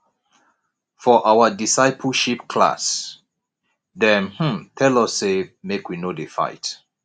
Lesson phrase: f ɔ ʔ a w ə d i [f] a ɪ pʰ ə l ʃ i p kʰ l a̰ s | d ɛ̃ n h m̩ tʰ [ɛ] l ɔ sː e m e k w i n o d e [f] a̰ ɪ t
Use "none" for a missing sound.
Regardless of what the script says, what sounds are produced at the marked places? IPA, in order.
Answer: s, ɛ, f

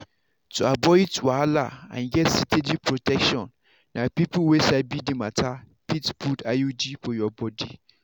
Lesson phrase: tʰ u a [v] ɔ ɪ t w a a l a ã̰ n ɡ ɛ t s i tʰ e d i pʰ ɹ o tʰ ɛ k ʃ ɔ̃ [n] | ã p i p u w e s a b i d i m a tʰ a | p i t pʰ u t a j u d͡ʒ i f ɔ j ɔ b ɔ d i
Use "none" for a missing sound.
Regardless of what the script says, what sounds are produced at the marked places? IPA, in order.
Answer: b, nː

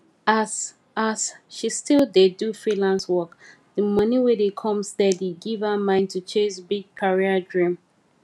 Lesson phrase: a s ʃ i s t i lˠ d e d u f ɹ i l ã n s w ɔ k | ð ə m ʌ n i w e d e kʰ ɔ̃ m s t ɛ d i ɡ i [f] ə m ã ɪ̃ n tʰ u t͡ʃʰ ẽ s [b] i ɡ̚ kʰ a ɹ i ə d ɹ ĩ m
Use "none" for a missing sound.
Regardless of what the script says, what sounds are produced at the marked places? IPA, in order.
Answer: v, b

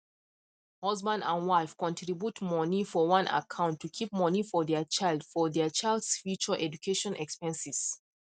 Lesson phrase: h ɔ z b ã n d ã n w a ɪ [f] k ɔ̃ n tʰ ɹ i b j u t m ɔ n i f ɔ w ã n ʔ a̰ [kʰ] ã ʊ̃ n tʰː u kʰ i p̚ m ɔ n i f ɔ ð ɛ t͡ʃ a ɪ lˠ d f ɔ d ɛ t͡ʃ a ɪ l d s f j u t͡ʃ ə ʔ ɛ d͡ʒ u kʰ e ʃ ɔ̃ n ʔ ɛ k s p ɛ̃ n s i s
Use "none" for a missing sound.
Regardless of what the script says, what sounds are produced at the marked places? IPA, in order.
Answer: f, kʰ

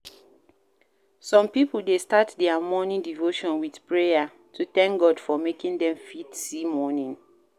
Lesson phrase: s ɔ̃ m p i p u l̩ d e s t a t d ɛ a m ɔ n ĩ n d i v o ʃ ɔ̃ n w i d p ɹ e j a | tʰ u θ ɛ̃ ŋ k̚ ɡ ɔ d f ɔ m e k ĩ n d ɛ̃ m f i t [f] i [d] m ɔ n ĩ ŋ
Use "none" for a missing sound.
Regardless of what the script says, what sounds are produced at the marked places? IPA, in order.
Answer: s, none

